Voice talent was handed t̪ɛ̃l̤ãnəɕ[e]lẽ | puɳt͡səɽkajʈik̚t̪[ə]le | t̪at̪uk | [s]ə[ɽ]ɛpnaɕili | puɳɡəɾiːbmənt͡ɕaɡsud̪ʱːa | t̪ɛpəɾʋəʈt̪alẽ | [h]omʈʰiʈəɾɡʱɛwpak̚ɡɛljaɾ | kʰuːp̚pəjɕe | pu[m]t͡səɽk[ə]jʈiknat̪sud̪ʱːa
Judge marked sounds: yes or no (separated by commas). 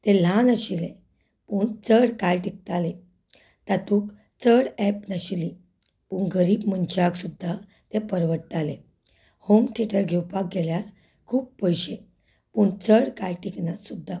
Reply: no, no, no, yes, yes, no, no